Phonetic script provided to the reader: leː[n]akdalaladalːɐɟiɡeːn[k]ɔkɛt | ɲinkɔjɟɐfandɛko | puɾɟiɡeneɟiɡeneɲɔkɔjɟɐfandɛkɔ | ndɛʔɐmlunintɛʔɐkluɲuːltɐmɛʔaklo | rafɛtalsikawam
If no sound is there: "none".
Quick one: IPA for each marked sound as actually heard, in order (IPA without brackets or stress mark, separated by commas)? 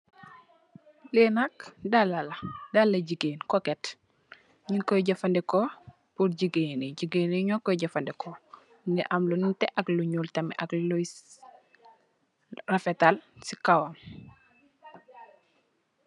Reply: n, k